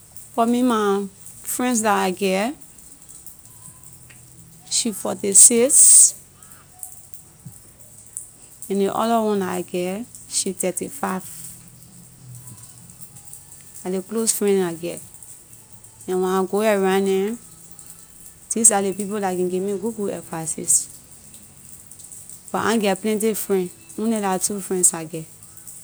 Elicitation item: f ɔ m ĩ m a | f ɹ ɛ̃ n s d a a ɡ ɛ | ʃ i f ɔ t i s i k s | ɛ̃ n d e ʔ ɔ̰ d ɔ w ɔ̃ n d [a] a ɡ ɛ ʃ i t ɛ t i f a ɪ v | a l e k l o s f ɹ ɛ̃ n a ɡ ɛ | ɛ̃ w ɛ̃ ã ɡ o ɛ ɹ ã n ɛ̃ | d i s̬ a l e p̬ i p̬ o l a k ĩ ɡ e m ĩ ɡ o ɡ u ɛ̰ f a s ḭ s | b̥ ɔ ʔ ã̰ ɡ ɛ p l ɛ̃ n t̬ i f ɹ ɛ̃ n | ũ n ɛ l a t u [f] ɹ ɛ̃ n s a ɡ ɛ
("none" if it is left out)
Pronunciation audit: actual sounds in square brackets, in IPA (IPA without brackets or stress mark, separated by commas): a, f